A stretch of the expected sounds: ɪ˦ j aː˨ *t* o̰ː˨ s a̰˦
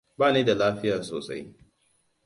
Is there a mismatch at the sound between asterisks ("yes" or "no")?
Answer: yes